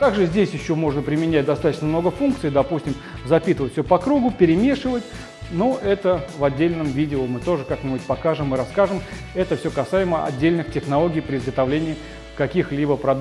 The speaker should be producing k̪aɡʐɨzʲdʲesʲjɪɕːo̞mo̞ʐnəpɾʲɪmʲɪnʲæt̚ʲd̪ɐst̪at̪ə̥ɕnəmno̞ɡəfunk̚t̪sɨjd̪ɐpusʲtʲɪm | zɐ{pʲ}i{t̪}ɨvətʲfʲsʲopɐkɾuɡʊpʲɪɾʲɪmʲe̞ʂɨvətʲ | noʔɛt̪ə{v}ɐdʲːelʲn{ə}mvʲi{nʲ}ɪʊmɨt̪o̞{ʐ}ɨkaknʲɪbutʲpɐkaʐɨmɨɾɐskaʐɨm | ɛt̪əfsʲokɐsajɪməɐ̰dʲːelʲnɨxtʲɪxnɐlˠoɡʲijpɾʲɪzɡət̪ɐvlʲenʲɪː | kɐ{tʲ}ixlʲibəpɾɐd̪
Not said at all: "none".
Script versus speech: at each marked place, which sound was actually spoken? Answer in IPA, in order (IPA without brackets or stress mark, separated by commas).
pʲ, t̪, v, ə, dʲ, ʐ, kʲ